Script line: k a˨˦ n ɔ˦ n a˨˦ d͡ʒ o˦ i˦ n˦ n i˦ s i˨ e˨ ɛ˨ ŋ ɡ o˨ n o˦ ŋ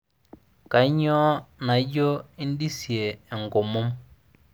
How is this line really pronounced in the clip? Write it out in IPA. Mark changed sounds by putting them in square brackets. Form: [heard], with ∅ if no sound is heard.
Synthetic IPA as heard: k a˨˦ [ɲ] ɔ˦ n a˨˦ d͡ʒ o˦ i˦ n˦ [d] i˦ s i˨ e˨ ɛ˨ ŋ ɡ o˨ [m] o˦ [m]